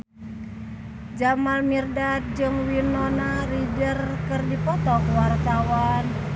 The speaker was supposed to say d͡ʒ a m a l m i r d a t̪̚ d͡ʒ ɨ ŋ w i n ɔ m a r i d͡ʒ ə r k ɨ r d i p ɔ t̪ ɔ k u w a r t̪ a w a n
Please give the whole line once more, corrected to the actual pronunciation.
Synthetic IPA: d͡ʒ a m a l m i r d a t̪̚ d͡ʒ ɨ ŋ w i n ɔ n a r i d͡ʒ ə r k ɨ r d i p ɔ t̪ ɔ k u w a r t̪ a w a n